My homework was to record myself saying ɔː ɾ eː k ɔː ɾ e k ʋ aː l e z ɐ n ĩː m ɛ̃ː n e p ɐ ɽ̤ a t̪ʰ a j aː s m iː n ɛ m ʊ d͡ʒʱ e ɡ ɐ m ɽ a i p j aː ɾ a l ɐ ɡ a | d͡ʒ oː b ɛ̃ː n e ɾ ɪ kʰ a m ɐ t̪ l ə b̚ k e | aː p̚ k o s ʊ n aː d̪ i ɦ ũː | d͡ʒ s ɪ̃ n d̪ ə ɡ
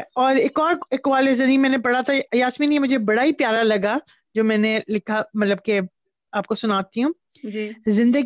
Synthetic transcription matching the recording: ɔː ɾ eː k ɔː ɾ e k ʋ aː l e z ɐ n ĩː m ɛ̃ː n e p ɐ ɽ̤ a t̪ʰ a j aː s m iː n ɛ m ʊ d͡ʒʱ e b ɐ ɽ a i p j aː ɾ a l ɐ ɡ a | d͡ʒ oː m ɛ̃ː n e l ɪ kʰ a m ɐ t̪ l ə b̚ k e | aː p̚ k o s ʊ n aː t̪ i ɦ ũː | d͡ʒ z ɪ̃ n d̪ ə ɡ